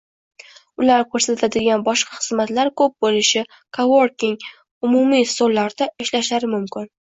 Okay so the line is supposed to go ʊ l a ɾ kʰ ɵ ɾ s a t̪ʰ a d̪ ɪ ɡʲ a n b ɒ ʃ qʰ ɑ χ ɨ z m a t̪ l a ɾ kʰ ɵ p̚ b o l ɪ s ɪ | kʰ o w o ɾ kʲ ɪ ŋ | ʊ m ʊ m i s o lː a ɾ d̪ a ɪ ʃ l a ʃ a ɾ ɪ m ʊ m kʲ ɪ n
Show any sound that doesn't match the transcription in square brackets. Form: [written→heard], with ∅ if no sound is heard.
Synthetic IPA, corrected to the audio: ʊ l a ɾ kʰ ɵ ɾ s a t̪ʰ a d̪ ɪ ɡʲ a n b ɒ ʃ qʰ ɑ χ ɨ z m a t̪ l a ɾ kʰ ɵ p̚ b o l ɪ [s→ʃ] ɪ | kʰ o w o ɾ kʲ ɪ ŋ | ʊ m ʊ m i s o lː a ɾ d̪ a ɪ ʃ l a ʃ a ɾ ɪ m ʊ m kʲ ɪ n